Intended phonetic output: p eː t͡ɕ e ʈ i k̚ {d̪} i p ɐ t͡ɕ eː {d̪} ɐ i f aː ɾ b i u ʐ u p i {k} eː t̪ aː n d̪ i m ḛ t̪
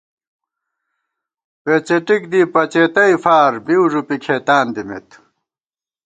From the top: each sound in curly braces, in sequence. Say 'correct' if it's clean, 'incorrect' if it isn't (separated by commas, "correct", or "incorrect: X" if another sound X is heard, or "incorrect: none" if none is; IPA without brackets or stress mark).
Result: correct, incorrect: t̪, incorrect: kʰ